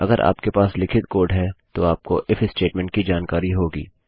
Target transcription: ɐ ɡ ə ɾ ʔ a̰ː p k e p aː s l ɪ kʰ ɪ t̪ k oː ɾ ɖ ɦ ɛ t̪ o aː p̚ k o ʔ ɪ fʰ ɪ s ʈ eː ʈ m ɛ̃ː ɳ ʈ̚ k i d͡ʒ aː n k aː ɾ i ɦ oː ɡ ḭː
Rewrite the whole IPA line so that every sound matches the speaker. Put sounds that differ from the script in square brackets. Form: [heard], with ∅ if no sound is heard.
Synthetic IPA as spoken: ɐ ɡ ə ɾ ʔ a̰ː p k e p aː s l ɪ kʰ ɪ t̪ k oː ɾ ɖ ɦ ɛ t̪ o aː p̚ k o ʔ ɪ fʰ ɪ s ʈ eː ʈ m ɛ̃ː ɳ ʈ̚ k i d͡ʒ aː n k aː ɾ i ɦ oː ɡ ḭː